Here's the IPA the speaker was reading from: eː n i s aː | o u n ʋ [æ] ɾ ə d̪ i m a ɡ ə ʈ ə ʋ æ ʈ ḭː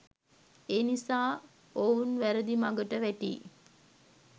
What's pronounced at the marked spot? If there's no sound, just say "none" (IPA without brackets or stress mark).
æ